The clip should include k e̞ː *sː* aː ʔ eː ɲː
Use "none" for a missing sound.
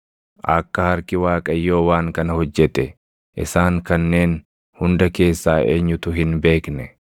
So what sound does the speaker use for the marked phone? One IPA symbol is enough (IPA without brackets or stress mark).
sː